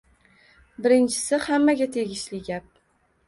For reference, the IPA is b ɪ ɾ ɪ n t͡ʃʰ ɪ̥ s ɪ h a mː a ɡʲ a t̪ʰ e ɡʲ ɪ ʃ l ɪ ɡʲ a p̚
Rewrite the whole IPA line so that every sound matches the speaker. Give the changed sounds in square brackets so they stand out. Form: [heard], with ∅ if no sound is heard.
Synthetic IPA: b ɪ ɾ ɪ n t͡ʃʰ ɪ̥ s ɪ h a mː a ɡʲ a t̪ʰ e ɡʲ ɪ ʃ l ɪ ɡʲ a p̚